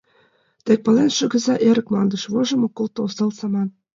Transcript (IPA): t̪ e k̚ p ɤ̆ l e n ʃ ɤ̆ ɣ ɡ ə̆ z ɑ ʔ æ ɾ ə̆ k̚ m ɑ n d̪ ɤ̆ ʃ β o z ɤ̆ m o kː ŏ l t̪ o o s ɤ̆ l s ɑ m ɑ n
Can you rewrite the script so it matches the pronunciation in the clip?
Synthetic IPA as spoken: t̪ e k̚ p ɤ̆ l e n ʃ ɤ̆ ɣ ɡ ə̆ z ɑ ʔ e ɾ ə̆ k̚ m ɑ n d̪ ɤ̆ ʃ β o ʒ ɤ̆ m o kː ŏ l t̪ o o s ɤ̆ l s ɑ m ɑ n